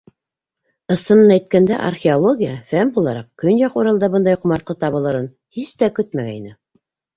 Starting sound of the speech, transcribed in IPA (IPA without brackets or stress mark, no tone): ɤ̆